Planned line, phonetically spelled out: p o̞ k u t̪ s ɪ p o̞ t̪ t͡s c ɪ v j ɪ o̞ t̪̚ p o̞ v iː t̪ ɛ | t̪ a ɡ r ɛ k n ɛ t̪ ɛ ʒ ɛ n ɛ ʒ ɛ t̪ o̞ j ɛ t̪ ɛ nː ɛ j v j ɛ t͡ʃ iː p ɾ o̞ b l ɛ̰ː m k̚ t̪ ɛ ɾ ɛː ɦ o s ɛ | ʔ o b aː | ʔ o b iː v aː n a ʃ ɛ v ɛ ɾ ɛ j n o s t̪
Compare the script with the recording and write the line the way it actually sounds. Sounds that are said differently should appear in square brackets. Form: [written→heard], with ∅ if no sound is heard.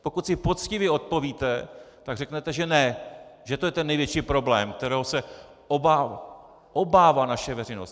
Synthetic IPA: p o̞ k u t̪ s ɪ p o̞ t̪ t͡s c ɪ v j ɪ o̞ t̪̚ p o̞ v iː t̪ ɛ | t̪ a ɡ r ɛ k n ɛ t̪ ɛ ʒ ɛ n ɛ ʒ ɛ t̪ o̞ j ɛ t̪ ɛ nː ɛ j v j ɛ t͡ʃ iː p ɾ o̞ b l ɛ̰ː m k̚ t̪ ɛ ɾ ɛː ɦ o s ɛ | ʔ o b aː | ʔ o b [iː→aː] v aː n a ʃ ɛ v ɛ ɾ ɛ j n o s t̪

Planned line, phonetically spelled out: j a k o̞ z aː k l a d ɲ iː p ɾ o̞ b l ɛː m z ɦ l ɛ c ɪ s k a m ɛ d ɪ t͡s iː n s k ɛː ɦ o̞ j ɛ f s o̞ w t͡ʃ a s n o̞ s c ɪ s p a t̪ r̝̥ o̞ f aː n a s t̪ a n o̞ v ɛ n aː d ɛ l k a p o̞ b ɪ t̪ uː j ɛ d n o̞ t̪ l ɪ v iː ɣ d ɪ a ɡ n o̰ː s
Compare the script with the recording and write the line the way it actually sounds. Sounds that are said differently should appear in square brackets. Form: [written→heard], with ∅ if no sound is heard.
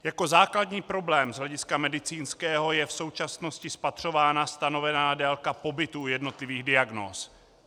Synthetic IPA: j a k o̞ z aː k l a d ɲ iː p ɾ o̞ b l ɛː m z ɦ l ɛ [c→ɟ] ɪ s k a m ɛ d ɪ t͡s iː n s k ɛː ɦ o̞ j ɛ f s o̞ w t͡ʃ a s n o̞ s c ɪ s p a t̪ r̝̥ o̞ [f→v] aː n a s t̪ a n o̞ v ɛ n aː d ɛ l k a p o̞ b ɪ t̪ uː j ɛ d n o̞ t̪ l ɪ v iː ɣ d ɪ a ɡ n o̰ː s

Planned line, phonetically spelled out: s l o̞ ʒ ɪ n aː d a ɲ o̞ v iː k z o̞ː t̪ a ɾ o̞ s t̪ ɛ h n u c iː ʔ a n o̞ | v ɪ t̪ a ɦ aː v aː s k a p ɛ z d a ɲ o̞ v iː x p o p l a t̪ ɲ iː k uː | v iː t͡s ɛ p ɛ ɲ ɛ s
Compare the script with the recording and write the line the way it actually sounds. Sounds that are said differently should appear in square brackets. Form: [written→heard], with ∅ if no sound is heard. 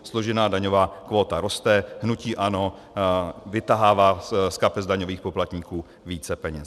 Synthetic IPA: s l o̞ ʒ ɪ n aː d a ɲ o̞ v [iː→aː] k [z→v] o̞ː t̪ a ɾ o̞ s t̪ ɛ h n u c iː ʔ a n o̞ | v ɪ t̪ a ɦ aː v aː s k a p ɛ z d a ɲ o̞ v iː x p o p l a t̪ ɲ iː k uː | v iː t͡s ɛ p ɛ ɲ ɛ s

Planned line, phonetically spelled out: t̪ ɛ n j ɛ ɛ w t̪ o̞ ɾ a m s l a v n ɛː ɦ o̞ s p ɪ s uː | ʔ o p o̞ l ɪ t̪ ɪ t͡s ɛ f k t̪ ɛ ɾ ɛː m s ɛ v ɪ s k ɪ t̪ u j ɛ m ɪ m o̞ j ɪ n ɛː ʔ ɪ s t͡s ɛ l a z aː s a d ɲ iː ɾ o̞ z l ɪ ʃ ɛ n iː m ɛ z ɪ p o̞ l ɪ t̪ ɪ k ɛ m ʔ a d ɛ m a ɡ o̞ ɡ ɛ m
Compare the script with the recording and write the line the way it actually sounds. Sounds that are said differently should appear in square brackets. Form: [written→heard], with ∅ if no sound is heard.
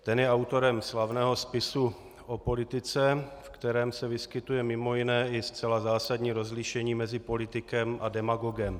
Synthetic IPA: t̪ ɛ n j ɛ [ɛ→a] w t̪ o̞ ɾ [a→ɛ] m s l a v n ɛː ɦ o̞ s p ɪ s [uː→u] | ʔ o p o̞ l ɪ t̪ ɪ t͡s ɛ f k t̪ ɛ ɾ ɛː m s ɛ v ɪ s k ɪ t̪ u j ɛ m ɪ m o̞ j ɪ n ɛː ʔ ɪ s t͡s ɛ l a z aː s a d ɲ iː ɾ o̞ z l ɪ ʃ ɛ [n→ɲ] iː m ɛ z ɪ p o̞ l ɪ t̪ ɪ k ɛ m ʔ a d ɛ m a ɡ o̞ ɡ ɛ m

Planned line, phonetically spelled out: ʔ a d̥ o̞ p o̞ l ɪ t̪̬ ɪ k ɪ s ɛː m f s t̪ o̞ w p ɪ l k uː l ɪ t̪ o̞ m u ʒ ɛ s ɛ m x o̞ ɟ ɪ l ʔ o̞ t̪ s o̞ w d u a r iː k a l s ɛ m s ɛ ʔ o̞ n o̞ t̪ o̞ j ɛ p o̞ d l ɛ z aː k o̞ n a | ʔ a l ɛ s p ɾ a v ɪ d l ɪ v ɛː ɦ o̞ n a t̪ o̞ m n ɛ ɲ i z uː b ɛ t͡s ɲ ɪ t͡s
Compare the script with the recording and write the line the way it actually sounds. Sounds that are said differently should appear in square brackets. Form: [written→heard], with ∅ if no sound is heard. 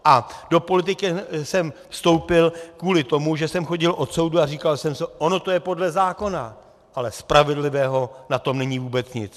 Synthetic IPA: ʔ a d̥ o̞ p o̞ l ɪ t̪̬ ɪ k ɪ s [ɛː→ɛ] m f s t̪ o̞ w p ɪ l k uː l ɪ t̪ o̞ m u ʒ ɛ s ɛ m x o̞ ɟ ɪ l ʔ o̞ t̪ s o̞ w d u a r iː k a l s ɛ m s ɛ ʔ o̞ n o̞ t̪ o̞ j ɛ p o̞ d l ɛ z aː k o̞ n a | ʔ a l ɛ s p ɾ a v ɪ d l ɪ v ɛː ɦ o̞ n a t̪ o̞ m n ɛ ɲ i [z→v] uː b ɛ t͡s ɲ ɪ t͡s

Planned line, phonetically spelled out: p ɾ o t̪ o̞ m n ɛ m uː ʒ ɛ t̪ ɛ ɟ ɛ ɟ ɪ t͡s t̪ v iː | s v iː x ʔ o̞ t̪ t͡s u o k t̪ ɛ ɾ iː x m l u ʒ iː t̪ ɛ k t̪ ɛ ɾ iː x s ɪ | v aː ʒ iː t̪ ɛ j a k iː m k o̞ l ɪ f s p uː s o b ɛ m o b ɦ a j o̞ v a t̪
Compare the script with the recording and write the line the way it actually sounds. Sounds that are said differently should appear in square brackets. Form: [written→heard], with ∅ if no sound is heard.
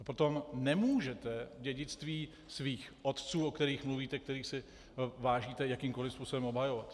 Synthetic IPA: p ɾ o t̪ o̞ m n ɛ m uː ʒ ɛ t̪ ɛ ɟ ɛ ɟ ɪ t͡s t̪ v iː | s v iː x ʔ o̞ t̪ t͡s [u→uː] o k t̪ ɛ ɾ iː x m l u [ʒ→v] iː t̪ ɛ k t̪ ɛ ɾ iː x s ɪ | v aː ʒ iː t̪ ɛ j a k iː m k o̞ l ɪ f s p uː s o b ɛ m o b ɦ a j o̞ v a t̪

